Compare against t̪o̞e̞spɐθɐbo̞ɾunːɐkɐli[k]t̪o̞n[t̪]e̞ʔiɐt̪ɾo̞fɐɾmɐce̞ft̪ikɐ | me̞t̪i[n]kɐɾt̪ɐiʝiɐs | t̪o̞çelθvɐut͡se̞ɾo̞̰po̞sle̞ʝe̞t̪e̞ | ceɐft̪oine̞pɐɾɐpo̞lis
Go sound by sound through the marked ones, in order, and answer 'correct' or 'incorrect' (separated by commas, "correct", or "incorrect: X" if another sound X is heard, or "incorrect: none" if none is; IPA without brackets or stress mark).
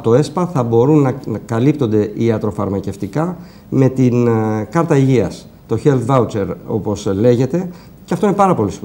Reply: incorrect: p, incorrect: d̪, correct